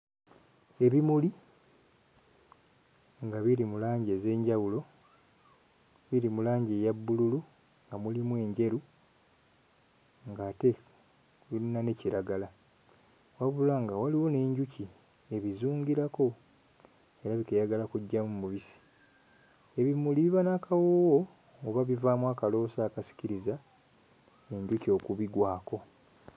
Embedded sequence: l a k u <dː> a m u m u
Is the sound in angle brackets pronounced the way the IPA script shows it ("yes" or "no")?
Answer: no